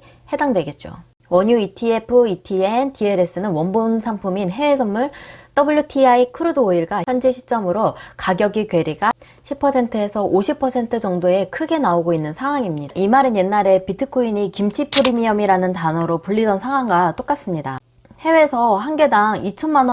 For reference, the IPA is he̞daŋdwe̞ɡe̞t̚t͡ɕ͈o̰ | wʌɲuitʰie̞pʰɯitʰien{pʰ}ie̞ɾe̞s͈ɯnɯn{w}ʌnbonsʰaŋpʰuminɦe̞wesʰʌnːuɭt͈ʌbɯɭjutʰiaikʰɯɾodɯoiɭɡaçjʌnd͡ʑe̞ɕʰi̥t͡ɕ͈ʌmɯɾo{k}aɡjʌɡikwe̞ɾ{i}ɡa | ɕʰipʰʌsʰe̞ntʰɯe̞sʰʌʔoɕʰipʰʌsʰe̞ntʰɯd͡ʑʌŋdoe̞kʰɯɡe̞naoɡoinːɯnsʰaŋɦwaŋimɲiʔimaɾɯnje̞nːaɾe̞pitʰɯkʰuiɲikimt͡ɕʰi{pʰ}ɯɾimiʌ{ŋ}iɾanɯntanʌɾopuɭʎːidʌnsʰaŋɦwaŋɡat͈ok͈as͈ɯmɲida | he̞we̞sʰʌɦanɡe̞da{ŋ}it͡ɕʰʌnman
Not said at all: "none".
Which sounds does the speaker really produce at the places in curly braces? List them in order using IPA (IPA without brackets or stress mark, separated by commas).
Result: tʰ, w, k, i, pʰ, m, ŋ